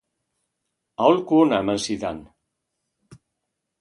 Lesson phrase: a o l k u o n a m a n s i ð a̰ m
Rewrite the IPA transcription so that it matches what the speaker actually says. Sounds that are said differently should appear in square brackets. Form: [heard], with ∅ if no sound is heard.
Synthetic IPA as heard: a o l k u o n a m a n s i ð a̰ [n]